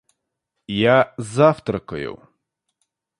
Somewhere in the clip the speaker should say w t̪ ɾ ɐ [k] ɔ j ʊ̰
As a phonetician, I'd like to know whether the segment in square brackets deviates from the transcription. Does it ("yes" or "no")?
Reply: no